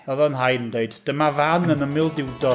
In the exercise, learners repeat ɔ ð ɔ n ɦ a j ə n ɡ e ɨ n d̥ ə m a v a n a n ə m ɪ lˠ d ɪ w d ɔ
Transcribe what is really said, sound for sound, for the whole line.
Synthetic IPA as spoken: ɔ ð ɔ n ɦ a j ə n d e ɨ d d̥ ə m a v a n ə n ə m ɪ lˠ d ɪ w d ɔ

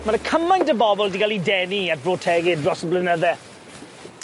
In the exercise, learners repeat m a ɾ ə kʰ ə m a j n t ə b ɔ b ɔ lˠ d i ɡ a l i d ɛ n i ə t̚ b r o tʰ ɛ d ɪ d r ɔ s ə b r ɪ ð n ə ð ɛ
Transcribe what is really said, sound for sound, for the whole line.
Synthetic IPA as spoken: m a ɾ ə kʰ ə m a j n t ə b ɔ b ɔ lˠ d i ɡ a l i d ɛ n i a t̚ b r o tʰ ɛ ɡ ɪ d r ɔ s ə b l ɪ n ə ð ɛ

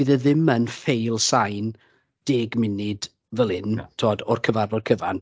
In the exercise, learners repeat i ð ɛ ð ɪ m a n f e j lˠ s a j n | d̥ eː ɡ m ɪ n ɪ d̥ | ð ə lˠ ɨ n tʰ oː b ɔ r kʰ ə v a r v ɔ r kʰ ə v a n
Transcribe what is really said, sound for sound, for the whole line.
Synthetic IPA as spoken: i ð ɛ ð ɪ m ə n f e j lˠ s a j n | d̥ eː ɡ m ɪ n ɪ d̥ | v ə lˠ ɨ n tʰ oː d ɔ r kʰ ə v a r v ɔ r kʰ ə v a n

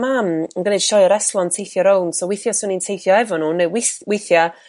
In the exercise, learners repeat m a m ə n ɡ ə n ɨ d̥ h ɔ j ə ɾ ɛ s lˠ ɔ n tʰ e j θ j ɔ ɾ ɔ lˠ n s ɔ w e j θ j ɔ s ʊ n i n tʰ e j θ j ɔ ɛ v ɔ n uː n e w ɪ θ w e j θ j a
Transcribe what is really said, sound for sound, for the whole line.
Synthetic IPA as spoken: m a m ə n ɡ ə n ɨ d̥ ʃ ɔ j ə ɾ ɛ s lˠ ɔ n tʰ e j θ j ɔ ɾ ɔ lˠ n s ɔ w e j θ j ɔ s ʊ n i n tʰ e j θ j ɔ ɛ v ɔ n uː n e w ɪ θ w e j θ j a

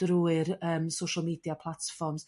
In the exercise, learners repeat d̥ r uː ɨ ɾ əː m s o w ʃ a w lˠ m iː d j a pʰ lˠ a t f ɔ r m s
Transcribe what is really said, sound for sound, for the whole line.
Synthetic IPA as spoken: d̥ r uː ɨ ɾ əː m s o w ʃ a lˠ m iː d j a pʰ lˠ a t f ɔ r m s

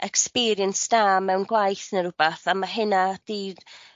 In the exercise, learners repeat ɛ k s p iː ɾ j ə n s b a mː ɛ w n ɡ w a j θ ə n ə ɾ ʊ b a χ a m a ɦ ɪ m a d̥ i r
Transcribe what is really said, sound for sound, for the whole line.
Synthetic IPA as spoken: ɛ k s p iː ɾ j ə n s d a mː ɛ w n ɡ w a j θ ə n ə ɾ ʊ b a θ a m a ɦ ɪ n a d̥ i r

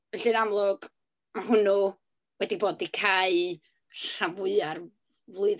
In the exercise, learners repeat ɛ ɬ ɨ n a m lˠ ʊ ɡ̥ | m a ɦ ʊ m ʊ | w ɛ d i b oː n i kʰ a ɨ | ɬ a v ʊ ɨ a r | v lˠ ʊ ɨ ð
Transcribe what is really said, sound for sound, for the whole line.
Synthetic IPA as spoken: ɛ ɬ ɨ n a m lˠ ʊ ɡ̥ | m a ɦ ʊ n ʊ | w ɛ d i b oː d i kʰ a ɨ | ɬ a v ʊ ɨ a r | v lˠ ʊ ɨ ð

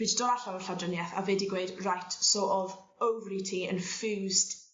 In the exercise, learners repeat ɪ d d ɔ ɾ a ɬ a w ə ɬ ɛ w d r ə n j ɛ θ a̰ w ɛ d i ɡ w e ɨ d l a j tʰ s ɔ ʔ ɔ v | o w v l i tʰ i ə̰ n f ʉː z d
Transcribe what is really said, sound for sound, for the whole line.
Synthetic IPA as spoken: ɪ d d ɔ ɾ a ɬ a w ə ɬ a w d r ə n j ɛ θ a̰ v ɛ d i ɡ w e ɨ d r a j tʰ s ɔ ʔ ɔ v | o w v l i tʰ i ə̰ n f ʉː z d

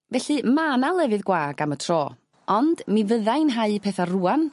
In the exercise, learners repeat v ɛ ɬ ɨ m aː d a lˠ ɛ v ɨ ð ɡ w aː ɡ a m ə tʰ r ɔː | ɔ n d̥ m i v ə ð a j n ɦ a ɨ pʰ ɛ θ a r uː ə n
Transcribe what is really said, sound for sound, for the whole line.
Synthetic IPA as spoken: v ɛ ɬ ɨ m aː n a lˠ ɛ v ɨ ð ɡ w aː ɡ a m ə tʰ r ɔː | ɔ n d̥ m i v ə ð a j n ɦ a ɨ pʰ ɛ θ a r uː a n

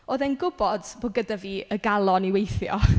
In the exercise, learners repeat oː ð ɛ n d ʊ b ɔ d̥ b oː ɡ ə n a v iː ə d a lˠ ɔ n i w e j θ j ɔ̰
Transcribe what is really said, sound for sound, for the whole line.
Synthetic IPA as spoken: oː ð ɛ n ɡ ʊ b ɔ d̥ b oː ɡ ə d a v iː ə ɡ a lˠ ɔ n i w e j θ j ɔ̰

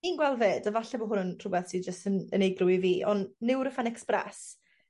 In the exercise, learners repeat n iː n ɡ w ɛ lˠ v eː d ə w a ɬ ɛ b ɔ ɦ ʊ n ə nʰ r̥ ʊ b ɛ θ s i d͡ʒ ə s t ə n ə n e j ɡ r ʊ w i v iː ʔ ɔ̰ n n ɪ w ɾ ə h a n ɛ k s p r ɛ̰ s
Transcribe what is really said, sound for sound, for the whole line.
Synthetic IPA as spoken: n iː n ɡ w ɛ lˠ v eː d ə v a ɬ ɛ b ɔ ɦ ʊ n ə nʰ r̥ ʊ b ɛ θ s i d͡ʒ ə s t ə n ə n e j ɡ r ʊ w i v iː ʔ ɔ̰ n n ɪ w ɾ ə f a n ɛ k s p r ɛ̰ s

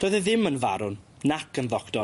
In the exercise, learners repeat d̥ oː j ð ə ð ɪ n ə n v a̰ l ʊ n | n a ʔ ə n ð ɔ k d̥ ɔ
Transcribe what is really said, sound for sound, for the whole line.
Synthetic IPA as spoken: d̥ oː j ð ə ð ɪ m ə n v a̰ ɾ ʊ n | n a k ə n ð ɔ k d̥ ɔ

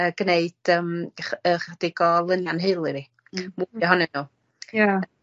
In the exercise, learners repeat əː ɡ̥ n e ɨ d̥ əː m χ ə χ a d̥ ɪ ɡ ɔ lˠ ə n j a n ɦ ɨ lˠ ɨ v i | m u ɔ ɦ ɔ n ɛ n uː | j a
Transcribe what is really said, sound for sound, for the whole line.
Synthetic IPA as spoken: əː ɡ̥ n e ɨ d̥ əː m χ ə χ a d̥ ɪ ɡ ɔ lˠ ə n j a n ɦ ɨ lˠ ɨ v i | m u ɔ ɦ ɔ n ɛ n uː | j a

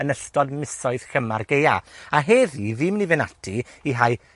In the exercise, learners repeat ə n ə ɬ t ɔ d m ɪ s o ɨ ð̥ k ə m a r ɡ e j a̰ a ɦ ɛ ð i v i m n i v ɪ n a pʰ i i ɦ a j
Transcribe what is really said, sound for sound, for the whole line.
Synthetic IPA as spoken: ə n ə ɬ t ɔ d m ɪ s ɔ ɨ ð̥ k ə m a r ɡ e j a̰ a ɦ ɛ ð i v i m n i v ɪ n a tʰ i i ɦ a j

